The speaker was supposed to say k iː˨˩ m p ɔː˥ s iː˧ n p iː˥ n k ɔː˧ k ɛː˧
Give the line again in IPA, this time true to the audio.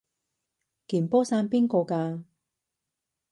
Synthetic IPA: k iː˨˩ n p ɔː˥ s aː˧ n p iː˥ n k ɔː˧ k aː˧